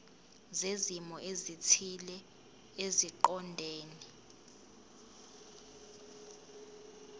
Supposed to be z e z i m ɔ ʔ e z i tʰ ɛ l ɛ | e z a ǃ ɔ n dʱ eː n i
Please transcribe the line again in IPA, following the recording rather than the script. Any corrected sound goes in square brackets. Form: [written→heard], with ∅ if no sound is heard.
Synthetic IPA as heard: z e z i m ɔ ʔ e z i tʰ [ɛ→i] l ɛ | e z [a→i] ǃ ɔ n dʱ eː n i